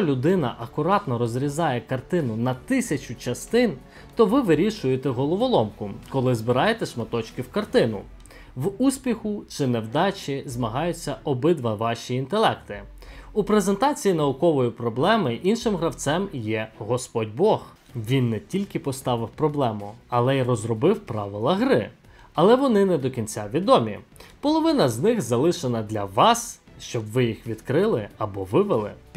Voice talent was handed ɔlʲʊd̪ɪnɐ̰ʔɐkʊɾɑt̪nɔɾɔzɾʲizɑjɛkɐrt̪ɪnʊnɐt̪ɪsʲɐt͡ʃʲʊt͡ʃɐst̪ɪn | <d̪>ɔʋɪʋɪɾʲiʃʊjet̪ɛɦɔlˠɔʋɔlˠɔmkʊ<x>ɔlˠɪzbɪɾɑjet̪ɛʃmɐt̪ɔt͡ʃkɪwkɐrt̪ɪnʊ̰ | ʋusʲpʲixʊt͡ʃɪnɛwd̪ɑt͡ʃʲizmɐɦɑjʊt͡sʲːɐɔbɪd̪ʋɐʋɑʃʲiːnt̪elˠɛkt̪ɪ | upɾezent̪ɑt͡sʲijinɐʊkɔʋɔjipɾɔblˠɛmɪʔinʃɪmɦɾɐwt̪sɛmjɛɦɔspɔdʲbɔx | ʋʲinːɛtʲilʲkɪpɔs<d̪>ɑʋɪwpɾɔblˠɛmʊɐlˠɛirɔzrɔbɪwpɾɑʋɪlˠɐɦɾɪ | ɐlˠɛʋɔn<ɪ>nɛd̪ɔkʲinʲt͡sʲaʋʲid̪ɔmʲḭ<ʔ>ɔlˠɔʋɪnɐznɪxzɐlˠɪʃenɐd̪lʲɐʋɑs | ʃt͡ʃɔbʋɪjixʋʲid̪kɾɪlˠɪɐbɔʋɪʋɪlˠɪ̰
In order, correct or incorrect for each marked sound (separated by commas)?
incorrect, incorrect, incorrect, correct, incorrect